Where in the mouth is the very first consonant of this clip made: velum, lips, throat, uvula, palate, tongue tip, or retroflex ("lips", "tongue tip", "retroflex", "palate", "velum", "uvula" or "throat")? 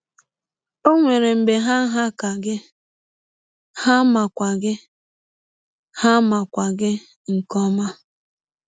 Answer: velum